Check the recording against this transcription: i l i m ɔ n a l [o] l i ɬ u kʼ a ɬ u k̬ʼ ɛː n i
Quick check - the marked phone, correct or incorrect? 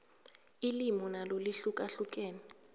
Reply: correct